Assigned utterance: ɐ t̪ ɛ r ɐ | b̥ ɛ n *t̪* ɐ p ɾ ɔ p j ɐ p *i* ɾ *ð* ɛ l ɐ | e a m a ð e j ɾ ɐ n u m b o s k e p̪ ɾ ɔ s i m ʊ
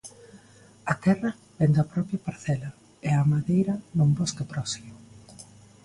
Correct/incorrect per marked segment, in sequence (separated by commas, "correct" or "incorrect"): incorrect, incorrect, incorrect